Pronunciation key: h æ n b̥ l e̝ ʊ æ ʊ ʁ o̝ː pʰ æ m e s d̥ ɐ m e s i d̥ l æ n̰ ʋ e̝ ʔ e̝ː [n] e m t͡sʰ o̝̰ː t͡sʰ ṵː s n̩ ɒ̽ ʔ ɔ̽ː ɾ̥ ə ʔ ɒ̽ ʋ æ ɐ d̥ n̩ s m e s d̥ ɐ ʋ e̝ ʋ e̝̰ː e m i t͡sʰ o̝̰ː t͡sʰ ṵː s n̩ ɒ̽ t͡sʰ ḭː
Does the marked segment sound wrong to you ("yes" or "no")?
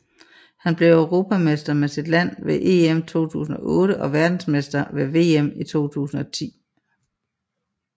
yes